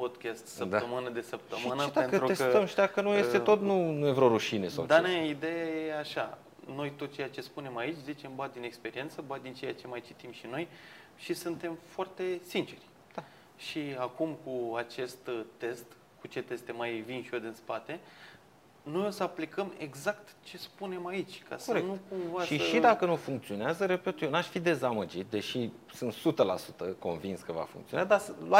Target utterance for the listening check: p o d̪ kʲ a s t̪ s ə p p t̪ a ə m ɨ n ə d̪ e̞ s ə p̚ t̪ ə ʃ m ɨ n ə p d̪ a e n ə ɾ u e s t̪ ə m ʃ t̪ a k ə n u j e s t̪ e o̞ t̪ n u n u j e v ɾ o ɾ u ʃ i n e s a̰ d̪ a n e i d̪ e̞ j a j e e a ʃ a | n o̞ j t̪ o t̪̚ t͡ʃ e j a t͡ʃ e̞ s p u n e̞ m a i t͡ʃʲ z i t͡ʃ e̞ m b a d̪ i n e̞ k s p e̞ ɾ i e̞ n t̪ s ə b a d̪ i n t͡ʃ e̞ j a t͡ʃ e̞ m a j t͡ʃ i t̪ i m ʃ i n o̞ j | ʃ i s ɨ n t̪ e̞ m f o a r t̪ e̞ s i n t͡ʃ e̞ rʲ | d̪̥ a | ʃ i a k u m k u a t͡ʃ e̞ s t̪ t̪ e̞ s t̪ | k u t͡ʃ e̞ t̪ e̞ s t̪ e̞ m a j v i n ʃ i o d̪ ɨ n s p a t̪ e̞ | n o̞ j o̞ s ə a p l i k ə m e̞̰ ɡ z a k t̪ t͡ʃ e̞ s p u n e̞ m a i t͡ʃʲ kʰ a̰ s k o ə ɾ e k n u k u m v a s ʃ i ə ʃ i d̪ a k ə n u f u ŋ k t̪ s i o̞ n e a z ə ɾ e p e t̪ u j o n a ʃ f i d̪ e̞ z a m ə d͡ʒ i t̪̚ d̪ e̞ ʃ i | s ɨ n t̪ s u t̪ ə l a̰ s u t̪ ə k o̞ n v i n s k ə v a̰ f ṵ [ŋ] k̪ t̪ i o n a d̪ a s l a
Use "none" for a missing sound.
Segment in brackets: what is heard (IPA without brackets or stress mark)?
ŋ